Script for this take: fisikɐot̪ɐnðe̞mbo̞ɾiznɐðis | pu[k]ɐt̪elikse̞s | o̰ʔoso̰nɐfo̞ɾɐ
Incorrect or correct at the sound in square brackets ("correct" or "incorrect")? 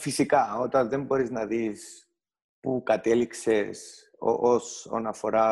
correct